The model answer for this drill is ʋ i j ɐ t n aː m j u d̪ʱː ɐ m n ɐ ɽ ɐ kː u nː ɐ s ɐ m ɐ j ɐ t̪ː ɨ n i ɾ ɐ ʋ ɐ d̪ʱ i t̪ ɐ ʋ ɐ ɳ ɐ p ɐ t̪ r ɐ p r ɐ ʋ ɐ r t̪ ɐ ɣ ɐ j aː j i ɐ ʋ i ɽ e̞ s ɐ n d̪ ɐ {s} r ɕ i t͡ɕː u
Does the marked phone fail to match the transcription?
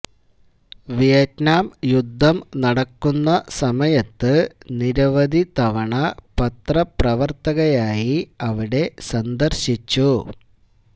yes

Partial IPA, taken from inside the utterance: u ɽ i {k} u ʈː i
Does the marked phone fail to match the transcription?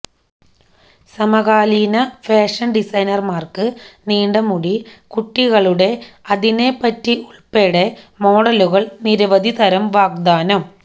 no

